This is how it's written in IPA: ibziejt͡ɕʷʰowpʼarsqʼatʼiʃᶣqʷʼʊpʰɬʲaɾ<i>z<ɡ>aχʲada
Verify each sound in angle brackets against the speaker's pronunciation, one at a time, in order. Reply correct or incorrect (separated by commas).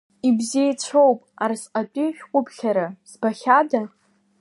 incorrect, incorrect